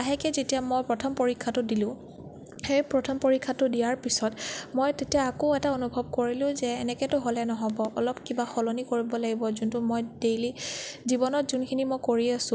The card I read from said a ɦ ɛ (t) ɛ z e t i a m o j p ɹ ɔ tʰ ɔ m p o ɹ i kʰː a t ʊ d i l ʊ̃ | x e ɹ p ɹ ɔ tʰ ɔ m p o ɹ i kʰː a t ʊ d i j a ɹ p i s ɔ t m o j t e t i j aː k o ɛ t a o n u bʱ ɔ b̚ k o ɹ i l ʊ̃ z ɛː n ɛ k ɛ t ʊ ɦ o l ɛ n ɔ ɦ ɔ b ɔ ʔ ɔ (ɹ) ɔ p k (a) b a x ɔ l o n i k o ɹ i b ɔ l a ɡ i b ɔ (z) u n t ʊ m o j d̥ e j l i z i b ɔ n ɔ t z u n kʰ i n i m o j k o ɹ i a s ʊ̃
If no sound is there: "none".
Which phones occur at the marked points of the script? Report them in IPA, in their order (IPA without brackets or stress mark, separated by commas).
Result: k, l, i, z